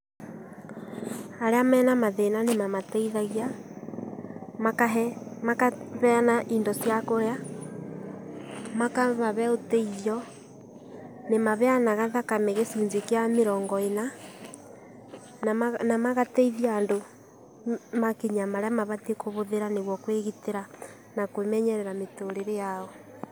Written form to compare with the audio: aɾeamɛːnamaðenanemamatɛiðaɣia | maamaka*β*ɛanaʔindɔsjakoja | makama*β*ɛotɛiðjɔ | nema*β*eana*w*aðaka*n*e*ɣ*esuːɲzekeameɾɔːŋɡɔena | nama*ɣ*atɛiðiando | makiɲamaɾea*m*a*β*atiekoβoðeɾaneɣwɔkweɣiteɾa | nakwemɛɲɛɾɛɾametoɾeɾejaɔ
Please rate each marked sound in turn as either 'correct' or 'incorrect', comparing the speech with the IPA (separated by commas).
correct, correct, correct, incorrect, incorrect, correct, correct, correct, correct